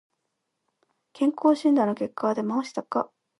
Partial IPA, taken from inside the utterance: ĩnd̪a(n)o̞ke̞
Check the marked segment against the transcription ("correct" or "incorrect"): correct